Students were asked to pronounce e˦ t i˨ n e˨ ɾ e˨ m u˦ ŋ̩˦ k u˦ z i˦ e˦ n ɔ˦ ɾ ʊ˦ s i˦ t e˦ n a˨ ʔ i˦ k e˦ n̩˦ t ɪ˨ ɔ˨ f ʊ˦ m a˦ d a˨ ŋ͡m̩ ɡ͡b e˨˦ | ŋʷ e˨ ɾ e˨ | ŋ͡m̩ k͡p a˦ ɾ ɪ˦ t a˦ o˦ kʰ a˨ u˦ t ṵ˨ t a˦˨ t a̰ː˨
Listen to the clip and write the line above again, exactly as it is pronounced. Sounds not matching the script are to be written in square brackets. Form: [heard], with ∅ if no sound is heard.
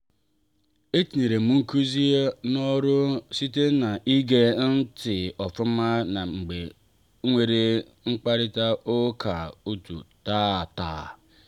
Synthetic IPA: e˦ t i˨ n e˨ ɾ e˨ m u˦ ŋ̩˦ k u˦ z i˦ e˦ n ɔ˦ ɾ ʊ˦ s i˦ t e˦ n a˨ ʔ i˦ [ɡ] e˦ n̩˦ t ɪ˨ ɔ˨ f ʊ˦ m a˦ [n] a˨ ŋ͡m̩ ɡ͡b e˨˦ | ŋʷ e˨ ɾ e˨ | ŋ͡m̩ k͡p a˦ ɾ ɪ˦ t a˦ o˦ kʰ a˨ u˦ t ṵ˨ t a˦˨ t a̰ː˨